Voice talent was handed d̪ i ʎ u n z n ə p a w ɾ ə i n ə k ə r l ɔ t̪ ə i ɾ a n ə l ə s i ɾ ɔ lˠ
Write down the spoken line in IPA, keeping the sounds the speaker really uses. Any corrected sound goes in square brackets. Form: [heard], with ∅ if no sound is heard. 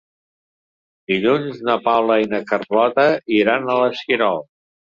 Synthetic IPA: d̪ i ʎ u n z n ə p a w [l] ə i n ə k ə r l ɔ t̪ ə i ɾ a n ə l ə s i ɾ ɔ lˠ